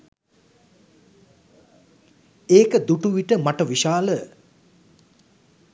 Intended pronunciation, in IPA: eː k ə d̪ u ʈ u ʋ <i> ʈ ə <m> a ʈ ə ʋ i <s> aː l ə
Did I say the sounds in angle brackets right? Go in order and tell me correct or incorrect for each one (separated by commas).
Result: correct, correct, incorrect